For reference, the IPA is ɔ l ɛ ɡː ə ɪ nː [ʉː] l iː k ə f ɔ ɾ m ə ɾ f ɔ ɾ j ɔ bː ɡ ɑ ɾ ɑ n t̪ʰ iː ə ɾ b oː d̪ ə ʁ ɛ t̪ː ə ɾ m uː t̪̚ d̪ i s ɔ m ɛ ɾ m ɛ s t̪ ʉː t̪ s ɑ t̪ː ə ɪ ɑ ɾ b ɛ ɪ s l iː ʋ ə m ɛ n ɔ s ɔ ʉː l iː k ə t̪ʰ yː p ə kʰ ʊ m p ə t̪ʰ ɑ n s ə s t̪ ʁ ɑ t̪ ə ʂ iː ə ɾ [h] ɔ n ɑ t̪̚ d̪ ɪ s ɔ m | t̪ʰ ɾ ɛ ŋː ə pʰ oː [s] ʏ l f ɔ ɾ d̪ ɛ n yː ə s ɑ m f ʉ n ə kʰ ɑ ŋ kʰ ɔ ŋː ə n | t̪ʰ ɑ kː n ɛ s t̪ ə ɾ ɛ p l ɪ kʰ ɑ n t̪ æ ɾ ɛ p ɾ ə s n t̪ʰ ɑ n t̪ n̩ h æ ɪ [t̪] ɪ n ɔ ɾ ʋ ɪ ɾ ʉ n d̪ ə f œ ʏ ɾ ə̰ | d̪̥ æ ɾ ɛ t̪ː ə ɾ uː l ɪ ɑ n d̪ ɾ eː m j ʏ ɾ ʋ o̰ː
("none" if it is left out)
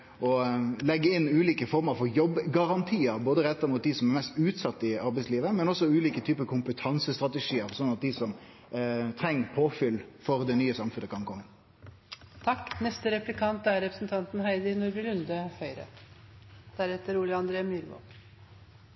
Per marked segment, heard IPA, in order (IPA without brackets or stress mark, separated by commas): ʉː, s, f, d̪